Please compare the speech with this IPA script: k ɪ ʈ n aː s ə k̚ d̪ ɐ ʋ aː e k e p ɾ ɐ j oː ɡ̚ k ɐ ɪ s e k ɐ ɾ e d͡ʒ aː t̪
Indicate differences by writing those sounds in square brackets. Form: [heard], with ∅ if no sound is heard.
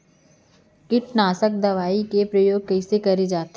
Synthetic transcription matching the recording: k ɪ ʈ n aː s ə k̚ d̪ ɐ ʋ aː [i] k e p ɾ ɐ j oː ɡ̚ k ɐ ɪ s e k ɐ ɾ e d͡ʒ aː t̪